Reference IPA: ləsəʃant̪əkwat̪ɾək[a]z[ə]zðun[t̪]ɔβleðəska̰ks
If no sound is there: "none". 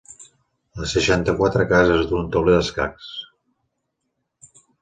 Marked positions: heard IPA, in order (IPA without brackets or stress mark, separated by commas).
a, ə, t̪